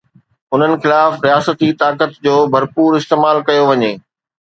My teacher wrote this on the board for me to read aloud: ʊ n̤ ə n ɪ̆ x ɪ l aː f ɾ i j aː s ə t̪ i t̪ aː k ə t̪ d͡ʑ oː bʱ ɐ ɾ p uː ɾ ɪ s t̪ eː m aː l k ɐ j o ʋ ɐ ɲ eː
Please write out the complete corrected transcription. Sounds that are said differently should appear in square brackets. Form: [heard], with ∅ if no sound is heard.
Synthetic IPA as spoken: ʊ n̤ ə n ɪ̆ x ɪ l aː f ɾ i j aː s ə t̪ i t̪ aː k ə t̪ d͡ʑ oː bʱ ɐ ɾ p uː ɾ ɪ s t̪ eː m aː l k ɐ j o ʋ ɐ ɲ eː